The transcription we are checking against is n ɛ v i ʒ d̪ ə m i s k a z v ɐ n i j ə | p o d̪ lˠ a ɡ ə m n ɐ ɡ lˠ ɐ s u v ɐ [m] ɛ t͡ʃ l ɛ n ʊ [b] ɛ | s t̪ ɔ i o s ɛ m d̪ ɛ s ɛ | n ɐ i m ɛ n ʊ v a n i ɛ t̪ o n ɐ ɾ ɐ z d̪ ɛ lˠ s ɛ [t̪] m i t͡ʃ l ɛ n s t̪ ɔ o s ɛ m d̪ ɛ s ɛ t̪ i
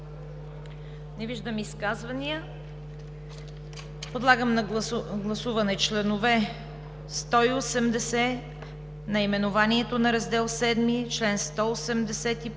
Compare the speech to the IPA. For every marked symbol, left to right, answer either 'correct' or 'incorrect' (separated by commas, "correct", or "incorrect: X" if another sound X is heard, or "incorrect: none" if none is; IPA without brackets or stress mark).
incorrect: n, incorrect: v, incorrect: d̪